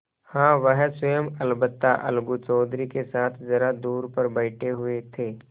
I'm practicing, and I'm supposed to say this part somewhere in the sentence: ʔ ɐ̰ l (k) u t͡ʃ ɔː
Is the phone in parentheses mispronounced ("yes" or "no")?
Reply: yes